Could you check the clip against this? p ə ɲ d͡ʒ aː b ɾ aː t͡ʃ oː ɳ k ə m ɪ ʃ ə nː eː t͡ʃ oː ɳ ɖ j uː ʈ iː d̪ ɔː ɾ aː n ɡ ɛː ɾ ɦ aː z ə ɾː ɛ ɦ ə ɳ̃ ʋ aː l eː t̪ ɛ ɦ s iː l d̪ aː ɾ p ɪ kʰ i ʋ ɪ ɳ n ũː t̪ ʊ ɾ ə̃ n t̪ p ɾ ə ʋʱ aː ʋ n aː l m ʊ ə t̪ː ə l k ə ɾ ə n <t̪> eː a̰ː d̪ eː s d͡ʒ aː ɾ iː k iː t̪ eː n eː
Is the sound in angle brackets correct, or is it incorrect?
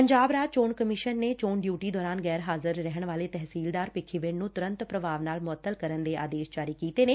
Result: incorrect